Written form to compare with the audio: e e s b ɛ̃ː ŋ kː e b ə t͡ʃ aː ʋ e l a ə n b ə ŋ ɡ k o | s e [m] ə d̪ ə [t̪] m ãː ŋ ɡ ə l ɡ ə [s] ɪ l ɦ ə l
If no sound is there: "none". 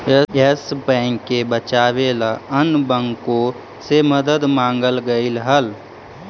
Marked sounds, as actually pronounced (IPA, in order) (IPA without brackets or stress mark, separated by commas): m, d̪, none